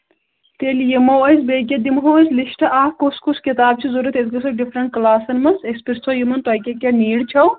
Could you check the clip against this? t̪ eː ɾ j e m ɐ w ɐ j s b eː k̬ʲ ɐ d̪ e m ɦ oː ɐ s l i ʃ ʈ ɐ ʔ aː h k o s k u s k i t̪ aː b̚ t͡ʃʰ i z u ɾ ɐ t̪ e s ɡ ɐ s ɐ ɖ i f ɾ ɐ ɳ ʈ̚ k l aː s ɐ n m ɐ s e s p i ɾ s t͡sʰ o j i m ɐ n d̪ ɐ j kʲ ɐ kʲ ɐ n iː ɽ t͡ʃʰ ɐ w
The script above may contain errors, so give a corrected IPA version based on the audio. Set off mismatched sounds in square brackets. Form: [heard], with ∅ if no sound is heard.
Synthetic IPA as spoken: t̪ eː [l] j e m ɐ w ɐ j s b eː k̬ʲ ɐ d̪ [i] m ɦ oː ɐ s l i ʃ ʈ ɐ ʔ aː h k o s k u s k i t̪ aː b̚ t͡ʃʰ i z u ɾ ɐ t̪ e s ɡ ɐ s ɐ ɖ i f ɾ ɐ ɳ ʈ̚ k l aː s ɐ n m ɐ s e s p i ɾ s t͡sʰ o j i m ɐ n [t̪] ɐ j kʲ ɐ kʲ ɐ n iː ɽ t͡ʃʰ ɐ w